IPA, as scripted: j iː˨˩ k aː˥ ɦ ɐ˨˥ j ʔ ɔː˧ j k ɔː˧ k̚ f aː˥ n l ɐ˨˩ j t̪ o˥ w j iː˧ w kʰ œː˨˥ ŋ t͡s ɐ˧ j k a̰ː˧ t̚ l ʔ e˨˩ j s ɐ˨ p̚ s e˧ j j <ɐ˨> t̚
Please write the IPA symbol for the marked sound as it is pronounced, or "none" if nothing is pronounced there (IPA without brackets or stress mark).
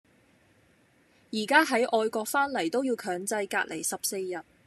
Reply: ɐ˨